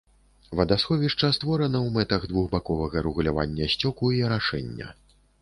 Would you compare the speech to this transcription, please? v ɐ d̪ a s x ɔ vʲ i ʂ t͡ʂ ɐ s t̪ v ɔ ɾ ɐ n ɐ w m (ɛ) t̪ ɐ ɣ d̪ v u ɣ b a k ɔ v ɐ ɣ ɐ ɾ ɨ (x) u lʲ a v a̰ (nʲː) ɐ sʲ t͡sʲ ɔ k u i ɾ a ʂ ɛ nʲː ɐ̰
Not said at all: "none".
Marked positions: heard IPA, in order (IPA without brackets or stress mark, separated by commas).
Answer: ɛ, ɣ, nʲː